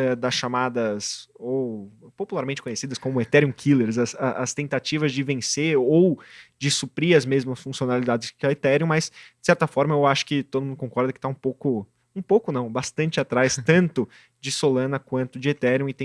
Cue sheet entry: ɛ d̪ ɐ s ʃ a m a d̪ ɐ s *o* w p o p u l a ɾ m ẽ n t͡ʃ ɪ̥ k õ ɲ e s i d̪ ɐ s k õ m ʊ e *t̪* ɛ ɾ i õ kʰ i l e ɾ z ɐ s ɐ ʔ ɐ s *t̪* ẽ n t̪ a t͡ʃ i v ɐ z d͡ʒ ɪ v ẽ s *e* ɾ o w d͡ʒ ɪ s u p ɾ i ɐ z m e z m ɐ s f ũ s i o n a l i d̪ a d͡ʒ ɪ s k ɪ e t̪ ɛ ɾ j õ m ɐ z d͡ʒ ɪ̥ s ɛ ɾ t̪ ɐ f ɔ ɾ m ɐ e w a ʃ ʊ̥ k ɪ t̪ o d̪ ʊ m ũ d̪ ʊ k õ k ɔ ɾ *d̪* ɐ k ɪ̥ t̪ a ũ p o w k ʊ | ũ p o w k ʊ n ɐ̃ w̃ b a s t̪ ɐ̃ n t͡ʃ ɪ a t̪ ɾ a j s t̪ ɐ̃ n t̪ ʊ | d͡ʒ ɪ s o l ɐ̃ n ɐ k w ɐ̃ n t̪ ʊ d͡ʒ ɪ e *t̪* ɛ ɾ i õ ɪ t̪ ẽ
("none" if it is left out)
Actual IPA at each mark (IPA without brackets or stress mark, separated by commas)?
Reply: o, t̪, t̪, e, d̪, t̪